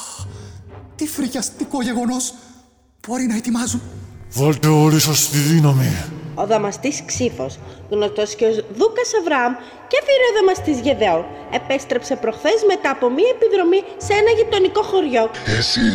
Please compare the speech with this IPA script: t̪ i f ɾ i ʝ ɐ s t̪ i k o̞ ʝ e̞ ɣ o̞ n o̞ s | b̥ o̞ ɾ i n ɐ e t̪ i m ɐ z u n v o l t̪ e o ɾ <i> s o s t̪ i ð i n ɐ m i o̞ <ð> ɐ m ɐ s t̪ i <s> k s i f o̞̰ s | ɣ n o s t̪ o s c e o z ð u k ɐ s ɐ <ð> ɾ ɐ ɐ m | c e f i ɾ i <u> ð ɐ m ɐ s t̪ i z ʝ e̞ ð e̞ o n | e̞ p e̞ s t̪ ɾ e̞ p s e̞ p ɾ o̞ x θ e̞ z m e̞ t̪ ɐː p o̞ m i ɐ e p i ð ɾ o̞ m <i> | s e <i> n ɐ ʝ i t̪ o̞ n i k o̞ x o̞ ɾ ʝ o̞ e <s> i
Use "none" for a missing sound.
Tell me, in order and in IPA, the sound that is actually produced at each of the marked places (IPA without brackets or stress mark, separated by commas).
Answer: i, ð, s, v, o, i, e, s